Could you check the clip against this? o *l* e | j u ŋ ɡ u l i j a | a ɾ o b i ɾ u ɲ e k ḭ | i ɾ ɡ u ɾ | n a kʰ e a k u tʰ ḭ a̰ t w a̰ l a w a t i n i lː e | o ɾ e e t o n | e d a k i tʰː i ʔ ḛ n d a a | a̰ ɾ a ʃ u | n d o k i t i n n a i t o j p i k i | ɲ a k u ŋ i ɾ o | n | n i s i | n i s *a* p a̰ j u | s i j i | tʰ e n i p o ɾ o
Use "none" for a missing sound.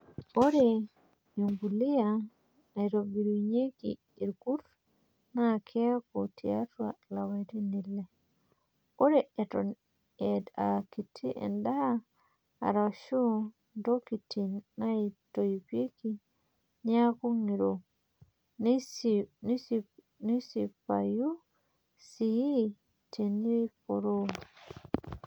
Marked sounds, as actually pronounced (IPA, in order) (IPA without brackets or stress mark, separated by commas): ɾ, i